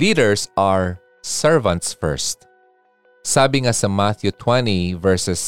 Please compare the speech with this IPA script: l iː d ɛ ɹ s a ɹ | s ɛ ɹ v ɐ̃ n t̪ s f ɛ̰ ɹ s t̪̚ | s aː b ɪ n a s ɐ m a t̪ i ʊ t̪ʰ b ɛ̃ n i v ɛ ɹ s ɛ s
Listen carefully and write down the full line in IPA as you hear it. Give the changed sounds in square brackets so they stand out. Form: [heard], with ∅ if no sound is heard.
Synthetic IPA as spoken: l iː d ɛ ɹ s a ɹ | s ɛ ɹ v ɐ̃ n t̪ s f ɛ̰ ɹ s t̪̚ | s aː b ɪ [ŋ] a s ɐ m a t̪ [j] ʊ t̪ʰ [w] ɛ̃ n i v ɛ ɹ s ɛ s